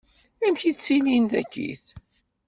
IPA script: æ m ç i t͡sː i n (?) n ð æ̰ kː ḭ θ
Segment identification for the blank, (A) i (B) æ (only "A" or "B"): A